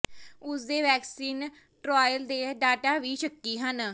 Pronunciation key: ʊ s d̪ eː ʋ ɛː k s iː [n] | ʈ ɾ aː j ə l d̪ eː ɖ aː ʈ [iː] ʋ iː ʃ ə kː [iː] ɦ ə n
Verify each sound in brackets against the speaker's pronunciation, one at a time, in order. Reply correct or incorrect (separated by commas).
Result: correct, incorrect, correct